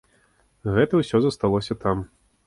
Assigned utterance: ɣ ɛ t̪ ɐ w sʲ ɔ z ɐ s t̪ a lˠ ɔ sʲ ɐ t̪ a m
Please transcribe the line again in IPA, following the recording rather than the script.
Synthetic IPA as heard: ɣ ɛ t̪ ɐ w sʲ ɔ z ɐ s t̪ a lˠ ɔ sʲ ɐ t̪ a m

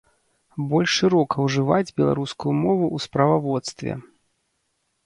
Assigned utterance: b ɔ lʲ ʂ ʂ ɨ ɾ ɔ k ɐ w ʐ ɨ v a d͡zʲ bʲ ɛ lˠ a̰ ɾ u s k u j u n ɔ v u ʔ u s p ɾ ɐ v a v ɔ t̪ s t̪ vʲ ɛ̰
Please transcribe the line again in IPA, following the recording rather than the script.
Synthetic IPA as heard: b ɔ lʲ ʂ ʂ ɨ ɾ ɔ k ɐ w ʐ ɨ v a d͡zʲ bʲ ɛ lˠ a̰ ɾ u s k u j u m ɔ v u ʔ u s p ɾ ɐ v a v ɔ t̪ s t̪ vʲ ɛ̰

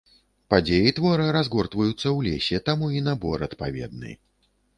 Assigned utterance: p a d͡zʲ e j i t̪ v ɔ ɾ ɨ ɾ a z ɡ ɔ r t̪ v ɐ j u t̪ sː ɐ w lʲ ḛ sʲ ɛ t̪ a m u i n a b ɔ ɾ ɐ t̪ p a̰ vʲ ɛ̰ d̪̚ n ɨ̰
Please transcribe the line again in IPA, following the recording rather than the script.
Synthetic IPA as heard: p a d͡zʲ e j i t̪ v ɔ ɾ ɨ ɾ a z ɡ ɔ r t̪ v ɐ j u t̪ sː ɐ w lʲ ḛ sʲ ɛ t̪ a m u i n a b ɔ ɾ ɐ t̪ p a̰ vʲ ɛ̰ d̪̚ n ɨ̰

